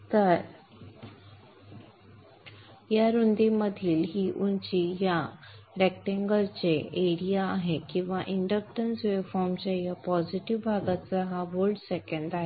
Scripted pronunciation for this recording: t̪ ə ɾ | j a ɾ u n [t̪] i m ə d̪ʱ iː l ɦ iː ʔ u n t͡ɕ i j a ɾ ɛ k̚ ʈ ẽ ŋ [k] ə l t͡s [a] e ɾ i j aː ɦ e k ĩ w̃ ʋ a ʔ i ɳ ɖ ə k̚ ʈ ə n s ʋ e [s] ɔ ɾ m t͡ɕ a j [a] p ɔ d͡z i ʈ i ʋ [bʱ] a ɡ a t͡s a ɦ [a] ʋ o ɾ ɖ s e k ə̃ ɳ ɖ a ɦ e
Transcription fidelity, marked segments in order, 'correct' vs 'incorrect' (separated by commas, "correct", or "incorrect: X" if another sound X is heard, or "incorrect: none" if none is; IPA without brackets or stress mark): incorrect: d̪, incorrect: ɡ, incorrect: e, incorrect: f, correct, correct, correct